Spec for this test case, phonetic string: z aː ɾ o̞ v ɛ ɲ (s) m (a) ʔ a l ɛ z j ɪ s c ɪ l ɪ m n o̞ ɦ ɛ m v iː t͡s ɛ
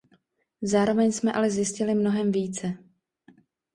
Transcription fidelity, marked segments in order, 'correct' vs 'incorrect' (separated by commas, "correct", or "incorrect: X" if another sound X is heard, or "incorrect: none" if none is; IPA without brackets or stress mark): correct, incorrect: ɛ